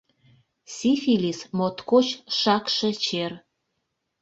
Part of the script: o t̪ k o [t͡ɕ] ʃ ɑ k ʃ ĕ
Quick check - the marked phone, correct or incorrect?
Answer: correct